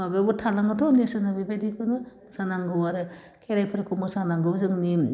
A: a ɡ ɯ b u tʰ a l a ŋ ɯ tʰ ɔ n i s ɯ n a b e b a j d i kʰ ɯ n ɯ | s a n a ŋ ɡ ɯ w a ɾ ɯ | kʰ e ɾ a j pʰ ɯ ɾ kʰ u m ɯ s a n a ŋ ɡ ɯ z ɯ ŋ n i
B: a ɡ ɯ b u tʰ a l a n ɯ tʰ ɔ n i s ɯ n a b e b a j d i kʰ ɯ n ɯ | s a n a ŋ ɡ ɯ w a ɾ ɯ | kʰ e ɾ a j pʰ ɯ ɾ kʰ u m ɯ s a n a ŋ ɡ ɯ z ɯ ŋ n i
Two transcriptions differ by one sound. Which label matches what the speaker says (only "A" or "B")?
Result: A